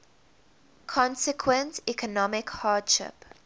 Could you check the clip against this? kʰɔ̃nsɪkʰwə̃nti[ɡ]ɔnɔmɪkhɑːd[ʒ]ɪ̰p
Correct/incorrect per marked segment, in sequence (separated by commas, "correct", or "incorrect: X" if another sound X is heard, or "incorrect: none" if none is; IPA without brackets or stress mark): incorrect: k, incorrect: ʃ